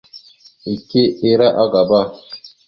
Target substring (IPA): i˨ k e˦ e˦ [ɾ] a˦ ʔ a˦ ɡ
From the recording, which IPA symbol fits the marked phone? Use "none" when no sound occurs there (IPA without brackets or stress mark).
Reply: ɾ